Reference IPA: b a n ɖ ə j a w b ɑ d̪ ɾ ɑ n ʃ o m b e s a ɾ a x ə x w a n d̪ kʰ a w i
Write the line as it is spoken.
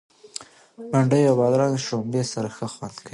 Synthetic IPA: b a ɳ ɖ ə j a w b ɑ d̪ ɾ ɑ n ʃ o m b e s a ɾ a x ə x w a n d̪ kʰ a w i